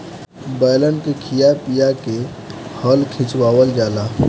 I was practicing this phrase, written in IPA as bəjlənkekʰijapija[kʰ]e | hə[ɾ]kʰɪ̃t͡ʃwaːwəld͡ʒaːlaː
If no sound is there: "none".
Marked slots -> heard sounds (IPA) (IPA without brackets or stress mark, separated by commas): k, l